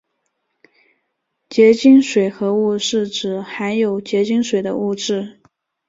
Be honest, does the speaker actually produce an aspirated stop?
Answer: no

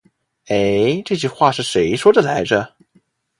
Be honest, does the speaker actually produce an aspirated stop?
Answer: no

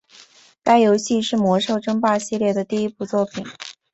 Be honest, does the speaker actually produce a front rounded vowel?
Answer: no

